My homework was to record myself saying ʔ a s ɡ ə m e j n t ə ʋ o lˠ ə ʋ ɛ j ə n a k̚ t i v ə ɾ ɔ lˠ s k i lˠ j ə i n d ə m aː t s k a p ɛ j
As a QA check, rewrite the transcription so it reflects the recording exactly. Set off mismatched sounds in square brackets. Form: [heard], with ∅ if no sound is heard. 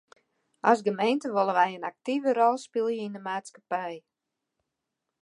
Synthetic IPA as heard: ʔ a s ɡ ə m e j n t ə ʋ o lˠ ə ʋ ɛ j ə n a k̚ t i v ə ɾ ɔ lˠ s [p] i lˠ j ə i n d ə m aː t s k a p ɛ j